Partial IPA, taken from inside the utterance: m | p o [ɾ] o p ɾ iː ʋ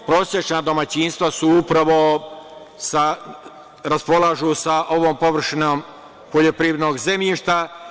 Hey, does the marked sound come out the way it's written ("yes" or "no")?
no